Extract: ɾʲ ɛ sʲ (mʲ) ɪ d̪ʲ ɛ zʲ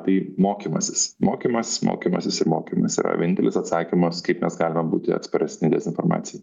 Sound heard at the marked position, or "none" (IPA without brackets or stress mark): nʲ